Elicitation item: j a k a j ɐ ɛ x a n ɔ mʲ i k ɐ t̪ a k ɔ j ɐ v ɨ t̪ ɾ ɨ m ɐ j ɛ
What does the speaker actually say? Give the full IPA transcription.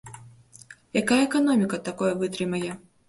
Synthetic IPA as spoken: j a k a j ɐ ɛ k a n ɔ mʲ i k ɐ t̪ a k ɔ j ɐ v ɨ t̪ ɾ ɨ m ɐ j ɛ